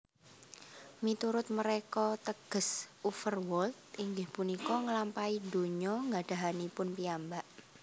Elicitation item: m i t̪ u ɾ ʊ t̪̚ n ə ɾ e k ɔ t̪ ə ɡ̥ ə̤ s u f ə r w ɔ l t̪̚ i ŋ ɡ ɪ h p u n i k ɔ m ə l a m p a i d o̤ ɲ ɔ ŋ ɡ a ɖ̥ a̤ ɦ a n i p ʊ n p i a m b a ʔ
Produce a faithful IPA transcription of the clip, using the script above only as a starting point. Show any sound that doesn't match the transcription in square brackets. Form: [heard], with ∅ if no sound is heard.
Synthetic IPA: m i t̪ u ɾ ʊ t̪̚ [m] ə ɾ e k ɔ t̪ ə ɡ̥ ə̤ s u f ə r w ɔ l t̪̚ i ŋ ɡ ɪ h p u n i k ɔ [ŋ] ə l a m p a i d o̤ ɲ ɔ ŋ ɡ a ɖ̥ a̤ ɦ a n i p ʊ n p i a m b a ʔ

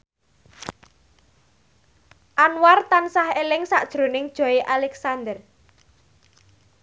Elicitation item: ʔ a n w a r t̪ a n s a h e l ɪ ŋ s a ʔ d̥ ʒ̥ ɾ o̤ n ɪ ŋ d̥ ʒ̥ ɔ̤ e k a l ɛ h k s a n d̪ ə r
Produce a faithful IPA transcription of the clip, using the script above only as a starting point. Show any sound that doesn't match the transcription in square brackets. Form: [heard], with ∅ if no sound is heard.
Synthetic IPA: ʔ a n w a r t̪ a n s a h e l ɪ ŋ s a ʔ d̥ ʒ̥ ɾ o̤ n ɪ ŋ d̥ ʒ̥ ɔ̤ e [ʔ] a l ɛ [∅] k s a n d̪ ə r

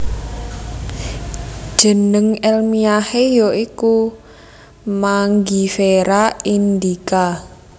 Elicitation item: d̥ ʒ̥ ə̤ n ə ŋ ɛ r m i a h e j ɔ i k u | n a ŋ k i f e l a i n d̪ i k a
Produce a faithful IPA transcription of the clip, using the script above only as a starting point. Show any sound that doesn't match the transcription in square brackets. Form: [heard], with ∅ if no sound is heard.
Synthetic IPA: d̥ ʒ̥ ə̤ n ə ŋ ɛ [l] m i a h e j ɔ i k u | [m] a ŋ [ɡ] i f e [ɾ] a i n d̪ i k a

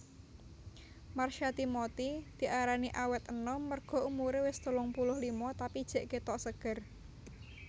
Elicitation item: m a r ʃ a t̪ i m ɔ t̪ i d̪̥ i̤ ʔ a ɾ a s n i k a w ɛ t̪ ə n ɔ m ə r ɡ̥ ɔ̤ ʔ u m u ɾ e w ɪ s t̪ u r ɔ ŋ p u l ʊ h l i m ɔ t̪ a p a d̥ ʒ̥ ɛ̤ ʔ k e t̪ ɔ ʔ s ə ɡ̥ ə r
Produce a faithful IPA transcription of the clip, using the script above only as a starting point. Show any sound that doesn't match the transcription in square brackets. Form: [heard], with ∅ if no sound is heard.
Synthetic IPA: m a r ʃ a t̪ i m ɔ t̪ i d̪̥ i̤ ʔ a ɾ a [∅] n i [ʔ] a w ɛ t̪ ə n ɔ m ə r ɡ̥ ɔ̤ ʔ u m u ɾ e w ɪ s t̪ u [l] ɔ ŋ p u l ʊ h l i m ɔ t̪ a p [i] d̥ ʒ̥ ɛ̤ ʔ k e t̪ ɔ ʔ s ə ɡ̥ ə r

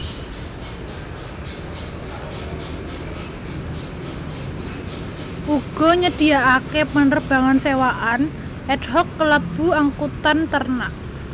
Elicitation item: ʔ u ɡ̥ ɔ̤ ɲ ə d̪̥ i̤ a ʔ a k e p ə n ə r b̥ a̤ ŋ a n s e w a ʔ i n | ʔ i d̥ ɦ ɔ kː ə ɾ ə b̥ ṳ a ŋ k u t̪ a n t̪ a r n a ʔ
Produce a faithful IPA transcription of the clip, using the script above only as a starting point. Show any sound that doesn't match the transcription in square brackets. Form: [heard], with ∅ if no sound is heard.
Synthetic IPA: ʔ u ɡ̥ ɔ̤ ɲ ə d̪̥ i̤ a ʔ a k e p ə n ə r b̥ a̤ ŋ a n s e w a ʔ [a] n | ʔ [ɛ] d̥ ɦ ɔ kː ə [l] ə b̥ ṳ a ŋ k u t̪ a n t̪ [ə] r n a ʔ

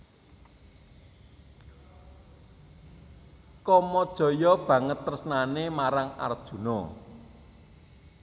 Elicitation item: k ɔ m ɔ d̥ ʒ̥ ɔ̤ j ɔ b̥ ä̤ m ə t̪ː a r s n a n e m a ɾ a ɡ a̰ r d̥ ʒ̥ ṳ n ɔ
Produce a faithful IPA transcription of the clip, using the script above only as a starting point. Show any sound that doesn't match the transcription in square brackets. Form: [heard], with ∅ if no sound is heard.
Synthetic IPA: k ɔ m ɔ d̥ ʒ̥ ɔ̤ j ɔ b̥ ä̤ [ŋ] ə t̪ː [ə] r s n a n e m a ɾ a [ŋ] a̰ r d̥ ʒ̥ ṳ n ɔ

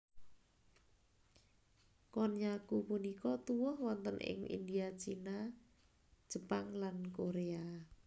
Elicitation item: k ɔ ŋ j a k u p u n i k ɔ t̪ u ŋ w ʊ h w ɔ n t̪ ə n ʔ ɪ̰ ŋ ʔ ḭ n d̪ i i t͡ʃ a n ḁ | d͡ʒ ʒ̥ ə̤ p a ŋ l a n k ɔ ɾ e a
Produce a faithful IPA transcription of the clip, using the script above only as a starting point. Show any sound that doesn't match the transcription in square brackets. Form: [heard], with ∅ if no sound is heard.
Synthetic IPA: k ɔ [n] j a k u p u n i k ɔ t̪ u [∅] w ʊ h w ɔ n t̪ ə n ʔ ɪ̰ ŋ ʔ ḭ n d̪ i [a] t͡ʃ [i] n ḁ | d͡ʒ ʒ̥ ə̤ p a ŋ l a n k [o] ɾ e a

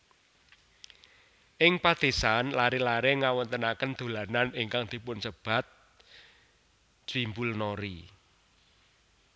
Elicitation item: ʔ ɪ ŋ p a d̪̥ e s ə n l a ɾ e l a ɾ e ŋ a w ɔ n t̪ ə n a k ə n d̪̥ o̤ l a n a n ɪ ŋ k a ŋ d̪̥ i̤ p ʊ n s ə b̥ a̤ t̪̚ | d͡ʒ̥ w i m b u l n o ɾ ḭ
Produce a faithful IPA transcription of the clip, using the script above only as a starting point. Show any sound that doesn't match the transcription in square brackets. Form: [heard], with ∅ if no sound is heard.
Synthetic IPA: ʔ ɪ ŋ p a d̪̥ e s [a] n l a ɾ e l a ɾ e ŋ a w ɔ n t̪ ə n a k ə n d̪̥ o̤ l a n a n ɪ ŋ k a ŋ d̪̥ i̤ p ʊ n s ə b̥ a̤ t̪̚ | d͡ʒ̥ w i m b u l n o ɾ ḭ

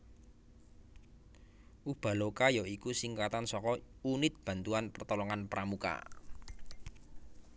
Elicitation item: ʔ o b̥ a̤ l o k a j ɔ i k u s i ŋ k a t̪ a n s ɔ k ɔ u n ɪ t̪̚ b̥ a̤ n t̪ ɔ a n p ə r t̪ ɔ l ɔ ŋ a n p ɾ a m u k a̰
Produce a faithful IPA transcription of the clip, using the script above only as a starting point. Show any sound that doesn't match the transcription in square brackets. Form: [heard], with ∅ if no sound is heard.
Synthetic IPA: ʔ [u] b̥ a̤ l o k a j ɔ i k u s i ŋ k a t̪ a n s ɔ k ɔ u n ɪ t̪̚ b̥ a̤ n t̪ [u] a n p ə r t̪ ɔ l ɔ ŋ a n p ɾ a m u k a̰

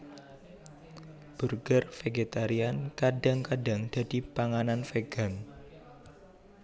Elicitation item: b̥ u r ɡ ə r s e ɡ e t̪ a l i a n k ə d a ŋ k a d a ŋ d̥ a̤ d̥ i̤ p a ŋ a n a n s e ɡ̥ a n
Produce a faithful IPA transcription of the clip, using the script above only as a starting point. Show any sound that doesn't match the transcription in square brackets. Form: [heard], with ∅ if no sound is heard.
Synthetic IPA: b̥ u r ɡ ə r [f] e ɡ e t̪ a [ɾ] i a n k [a] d a ŋ k a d a ŋ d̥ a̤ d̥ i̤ p a ŋ a n a n [f] e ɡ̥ a n

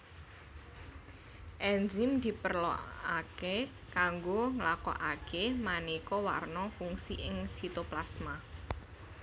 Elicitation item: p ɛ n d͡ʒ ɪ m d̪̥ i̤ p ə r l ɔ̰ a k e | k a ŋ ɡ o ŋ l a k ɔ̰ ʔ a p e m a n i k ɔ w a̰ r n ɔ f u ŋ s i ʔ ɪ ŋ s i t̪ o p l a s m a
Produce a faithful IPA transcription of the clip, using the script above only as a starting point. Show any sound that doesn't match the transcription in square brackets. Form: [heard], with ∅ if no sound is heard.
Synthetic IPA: [ʔ] ɛ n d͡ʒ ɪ m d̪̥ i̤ p ə r l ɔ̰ a k e | k a ŋ ɡ o ŋ l a k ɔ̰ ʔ a [k] e m a n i k ɔ w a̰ r n ɔ f u ŋ s i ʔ ɪ ŋ s i t̪ o p l a s m a

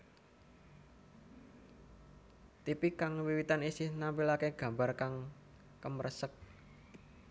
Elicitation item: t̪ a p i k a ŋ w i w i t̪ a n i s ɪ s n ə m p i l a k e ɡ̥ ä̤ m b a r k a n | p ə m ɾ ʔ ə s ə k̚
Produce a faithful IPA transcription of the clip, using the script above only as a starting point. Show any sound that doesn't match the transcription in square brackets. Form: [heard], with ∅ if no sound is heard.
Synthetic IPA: t̪ [i] p i k a ŋ w i w i t̪ a n i s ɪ [h] n [a] m p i l a k e ɡ̥ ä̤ m b a r k a [ŋ] | [k] ə m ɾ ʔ ə s ə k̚

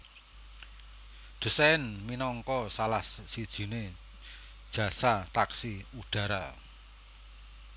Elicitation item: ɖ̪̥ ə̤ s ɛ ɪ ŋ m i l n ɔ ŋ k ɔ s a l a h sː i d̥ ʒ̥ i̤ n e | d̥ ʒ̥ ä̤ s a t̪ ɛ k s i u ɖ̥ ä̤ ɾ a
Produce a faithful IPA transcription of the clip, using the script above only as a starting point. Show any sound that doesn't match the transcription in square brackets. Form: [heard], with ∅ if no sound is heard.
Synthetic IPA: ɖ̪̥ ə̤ s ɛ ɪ [n] m i [∅] n ɔ ŋ k ɔ s a l a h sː i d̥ ʒ̥ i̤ n e | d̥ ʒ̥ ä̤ s a t̪ [a] k s i u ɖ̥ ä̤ ɾ a

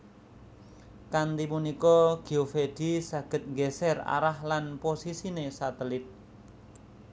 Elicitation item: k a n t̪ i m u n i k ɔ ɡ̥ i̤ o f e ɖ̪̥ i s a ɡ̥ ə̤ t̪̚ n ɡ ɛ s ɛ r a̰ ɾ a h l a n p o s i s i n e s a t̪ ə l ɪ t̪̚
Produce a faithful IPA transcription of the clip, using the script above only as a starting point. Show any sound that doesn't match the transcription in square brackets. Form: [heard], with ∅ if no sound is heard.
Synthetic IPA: k a n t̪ i m u n i k ɔ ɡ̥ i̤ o f e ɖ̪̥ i s a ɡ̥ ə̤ t̪̚ [ŋ] ɡ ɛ s ɛ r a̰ ɾ a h l a n p o s i s i n e s a t̪ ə l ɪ t̪̚

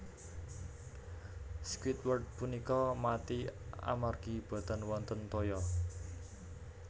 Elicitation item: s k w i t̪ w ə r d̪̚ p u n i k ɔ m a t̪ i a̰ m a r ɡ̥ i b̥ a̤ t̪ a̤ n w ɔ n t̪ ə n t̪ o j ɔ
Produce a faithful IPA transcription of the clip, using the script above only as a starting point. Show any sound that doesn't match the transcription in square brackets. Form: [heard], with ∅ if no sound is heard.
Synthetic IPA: s k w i t̪ w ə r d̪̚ p u n i k ɔ m a t̪ i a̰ m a r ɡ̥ i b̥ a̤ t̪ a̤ n w ɔ n t̪ ə n t̪ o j ɔ

